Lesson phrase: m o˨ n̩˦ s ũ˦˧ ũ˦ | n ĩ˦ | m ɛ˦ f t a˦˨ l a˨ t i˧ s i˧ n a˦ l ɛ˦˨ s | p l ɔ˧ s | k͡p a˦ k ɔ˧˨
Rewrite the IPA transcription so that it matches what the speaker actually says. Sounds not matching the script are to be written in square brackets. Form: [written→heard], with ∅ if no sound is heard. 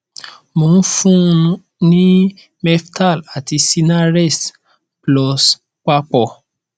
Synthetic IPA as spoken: m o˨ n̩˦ [s→f] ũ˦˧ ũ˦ | n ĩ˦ | m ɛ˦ f t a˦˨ l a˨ t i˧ s i˧ n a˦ [l→ɾ] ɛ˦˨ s | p l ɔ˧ s | k͡p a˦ [k→k͡p] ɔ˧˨